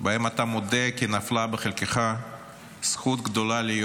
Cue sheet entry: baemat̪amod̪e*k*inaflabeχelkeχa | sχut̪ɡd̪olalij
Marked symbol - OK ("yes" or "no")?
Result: yes